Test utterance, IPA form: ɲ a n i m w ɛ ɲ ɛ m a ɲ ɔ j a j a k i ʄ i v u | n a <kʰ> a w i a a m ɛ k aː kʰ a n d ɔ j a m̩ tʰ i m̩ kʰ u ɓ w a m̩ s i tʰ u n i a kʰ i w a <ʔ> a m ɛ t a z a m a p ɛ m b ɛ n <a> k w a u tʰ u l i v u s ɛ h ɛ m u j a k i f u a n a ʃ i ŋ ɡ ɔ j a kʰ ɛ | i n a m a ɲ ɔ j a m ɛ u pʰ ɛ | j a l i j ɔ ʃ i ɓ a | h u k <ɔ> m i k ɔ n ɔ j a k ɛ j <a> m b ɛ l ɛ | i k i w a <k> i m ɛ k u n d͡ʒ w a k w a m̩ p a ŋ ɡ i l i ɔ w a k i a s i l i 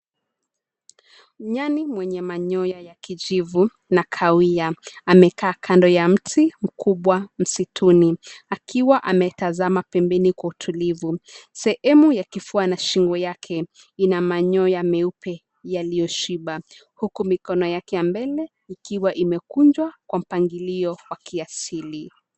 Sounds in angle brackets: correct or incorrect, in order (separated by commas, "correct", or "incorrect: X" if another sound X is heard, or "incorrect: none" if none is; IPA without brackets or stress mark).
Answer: correct, correct, incorrect: i, incorrect: u, correct, incorrect: ʔ